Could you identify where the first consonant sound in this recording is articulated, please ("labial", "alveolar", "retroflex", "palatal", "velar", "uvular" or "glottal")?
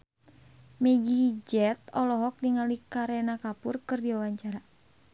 labial